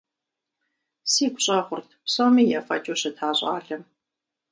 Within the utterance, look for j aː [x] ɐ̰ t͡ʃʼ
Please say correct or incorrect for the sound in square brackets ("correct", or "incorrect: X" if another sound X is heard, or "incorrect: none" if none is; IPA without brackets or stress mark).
incorrect: f